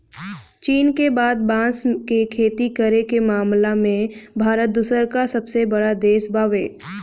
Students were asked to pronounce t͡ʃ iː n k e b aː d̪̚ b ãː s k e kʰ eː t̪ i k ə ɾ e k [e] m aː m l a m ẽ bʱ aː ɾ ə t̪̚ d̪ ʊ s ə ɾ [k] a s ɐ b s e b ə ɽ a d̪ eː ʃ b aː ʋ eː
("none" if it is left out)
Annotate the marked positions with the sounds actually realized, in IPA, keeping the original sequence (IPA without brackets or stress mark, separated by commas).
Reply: e, k